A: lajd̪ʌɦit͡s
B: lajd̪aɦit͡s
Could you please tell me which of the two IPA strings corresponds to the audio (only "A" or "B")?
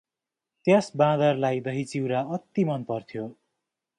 A